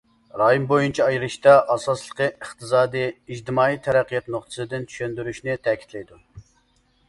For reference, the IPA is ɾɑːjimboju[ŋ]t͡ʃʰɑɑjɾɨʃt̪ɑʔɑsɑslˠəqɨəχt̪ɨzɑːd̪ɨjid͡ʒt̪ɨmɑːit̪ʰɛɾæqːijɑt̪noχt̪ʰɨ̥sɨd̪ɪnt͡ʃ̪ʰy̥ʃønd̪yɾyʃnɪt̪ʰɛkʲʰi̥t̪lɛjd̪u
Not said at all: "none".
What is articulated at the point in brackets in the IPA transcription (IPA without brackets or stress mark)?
n